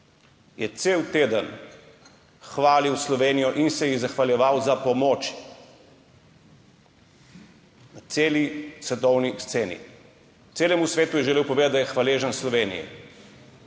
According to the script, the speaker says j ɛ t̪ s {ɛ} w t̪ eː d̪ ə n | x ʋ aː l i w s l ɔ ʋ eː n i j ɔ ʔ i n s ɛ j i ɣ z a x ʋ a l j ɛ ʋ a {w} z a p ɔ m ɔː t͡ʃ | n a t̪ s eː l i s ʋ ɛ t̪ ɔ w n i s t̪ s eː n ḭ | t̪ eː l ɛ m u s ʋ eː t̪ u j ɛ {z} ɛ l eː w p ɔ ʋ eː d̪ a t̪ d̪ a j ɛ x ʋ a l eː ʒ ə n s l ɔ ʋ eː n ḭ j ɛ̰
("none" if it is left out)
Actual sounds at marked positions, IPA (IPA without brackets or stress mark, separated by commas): e, w, ʒ